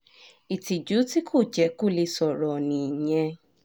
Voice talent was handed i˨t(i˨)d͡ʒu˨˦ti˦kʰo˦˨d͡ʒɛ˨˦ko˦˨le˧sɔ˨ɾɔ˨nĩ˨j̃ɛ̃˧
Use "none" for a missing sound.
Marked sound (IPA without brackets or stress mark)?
i˨